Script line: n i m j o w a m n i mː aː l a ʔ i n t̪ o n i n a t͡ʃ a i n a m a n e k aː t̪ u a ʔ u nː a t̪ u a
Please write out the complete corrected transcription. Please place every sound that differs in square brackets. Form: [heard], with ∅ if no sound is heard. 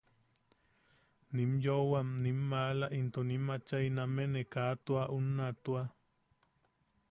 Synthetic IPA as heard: n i m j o w a m n i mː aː l a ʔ i n t̪ o n i [m] a t͡ʃ a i n a m [e] n e k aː t̪ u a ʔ u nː a t̪ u a